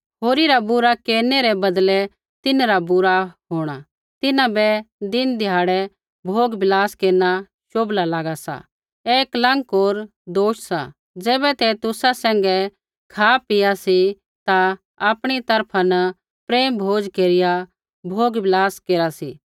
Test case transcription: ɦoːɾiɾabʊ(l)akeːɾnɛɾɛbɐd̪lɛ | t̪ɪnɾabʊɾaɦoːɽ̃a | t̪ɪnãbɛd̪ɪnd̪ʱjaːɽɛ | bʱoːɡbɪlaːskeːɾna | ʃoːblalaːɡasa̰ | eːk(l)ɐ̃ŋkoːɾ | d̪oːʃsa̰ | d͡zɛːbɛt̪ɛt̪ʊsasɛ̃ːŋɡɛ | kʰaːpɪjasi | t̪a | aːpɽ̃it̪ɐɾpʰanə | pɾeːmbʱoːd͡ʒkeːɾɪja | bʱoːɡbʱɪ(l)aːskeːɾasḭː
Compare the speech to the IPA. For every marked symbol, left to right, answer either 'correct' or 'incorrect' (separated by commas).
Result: incorrect, correct, correct